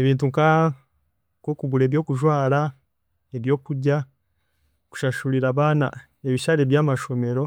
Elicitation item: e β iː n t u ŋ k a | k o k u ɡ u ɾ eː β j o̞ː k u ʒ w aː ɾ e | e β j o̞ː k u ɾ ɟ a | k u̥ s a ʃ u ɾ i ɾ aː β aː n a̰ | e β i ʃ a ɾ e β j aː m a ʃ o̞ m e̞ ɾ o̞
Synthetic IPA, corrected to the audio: e β iː n t u ŋ k a | k o k u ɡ u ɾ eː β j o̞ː k u ʒ w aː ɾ a | e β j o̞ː k u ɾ ɟ a | k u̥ ʃ a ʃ u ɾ i ɾ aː β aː n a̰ | e β i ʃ a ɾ e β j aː m a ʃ o̞ m e̞ ɾ o̞